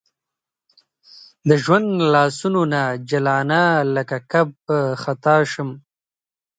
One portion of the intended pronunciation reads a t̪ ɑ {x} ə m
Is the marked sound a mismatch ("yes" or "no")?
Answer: yes